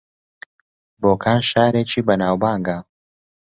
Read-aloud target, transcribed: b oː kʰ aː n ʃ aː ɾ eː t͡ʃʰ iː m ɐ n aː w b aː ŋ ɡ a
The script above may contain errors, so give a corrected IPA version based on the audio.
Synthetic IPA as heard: b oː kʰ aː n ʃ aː ɾ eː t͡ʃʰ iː b ɐ n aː w b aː ŋ ɡ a

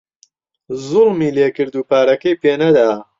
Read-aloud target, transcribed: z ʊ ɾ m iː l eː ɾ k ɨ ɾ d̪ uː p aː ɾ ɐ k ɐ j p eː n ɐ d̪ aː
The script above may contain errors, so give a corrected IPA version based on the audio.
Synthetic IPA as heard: z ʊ l m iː l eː k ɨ ɾ d̪ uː p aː ɾ ɐ k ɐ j p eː n ɐ d̪ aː

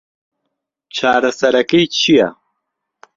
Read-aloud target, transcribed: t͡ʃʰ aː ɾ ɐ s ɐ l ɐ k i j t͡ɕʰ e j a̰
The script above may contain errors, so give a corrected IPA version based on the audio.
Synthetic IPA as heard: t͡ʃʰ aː ɾ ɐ s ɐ ɾ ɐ k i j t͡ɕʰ i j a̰

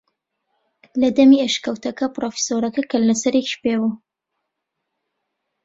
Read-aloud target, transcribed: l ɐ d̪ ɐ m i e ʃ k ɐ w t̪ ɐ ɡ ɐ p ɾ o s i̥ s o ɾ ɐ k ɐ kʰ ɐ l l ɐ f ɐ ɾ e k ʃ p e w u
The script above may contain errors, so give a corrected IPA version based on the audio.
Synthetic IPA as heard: l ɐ d̪ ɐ m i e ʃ k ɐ w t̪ ɐ k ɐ p ɾ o f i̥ s o ɾ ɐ k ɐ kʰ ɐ l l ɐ s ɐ ɾ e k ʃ p e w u

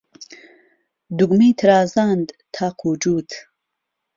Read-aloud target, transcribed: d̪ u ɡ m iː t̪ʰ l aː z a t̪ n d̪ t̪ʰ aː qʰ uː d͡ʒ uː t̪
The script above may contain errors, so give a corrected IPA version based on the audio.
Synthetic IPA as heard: d̪ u ɡ m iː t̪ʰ ɾ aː z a n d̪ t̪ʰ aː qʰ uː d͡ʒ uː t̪

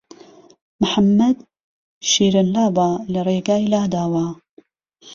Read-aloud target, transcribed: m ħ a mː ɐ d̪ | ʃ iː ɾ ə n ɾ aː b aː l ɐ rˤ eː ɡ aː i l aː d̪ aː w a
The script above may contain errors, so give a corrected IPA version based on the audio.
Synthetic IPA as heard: m ħ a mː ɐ d̪ | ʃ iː ɾ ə n l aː b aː l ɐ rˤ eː ɡ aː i l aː d̪ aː w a

